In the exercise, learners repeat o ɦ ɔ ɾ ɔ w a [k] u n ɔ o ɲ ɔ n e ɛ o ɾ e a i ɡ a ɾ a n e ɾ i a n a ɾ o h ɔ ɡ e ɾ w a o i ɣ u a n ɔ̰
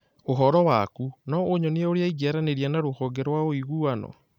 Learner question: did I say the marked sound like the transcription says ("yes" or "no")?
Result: yes